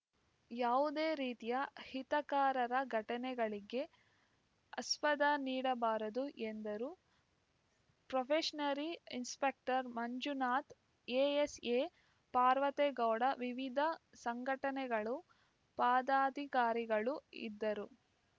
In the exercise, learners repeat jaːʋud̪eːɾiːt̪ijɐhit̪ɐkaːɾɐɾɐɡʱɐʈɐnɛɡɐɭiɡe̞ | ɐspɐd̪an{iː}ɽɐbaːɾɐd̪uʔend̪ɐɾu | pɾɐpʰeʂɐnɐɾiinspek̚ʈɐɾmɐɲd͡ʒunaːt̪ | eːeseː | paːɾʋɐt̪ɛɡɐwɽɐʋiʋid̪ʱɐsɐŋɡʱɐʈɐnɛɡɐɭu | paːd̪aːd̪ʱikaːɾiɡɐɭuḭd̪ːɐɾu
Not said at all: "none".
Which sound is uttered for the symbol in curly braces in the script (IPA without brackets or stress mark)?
iː